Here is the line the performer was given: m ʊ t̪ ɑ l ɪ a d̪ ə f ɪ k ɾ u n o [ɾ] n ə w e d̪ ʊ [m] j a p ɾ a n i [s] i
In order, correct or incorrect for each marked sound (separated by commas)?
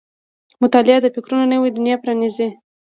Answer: incorrect, incorrect, incorrect